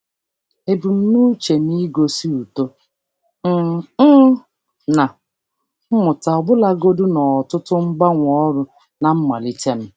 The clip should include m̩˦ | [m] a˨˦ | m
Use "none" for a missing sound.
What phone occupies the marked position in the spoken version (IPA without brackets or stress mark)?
n